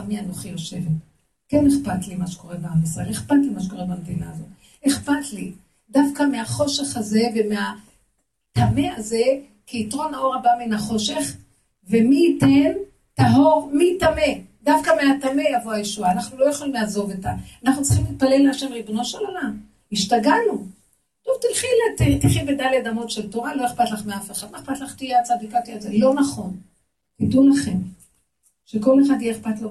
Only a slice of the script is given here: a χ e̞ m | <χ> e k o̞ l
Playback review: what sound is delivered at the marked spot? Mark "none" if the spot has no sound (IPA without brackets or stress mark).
ʃ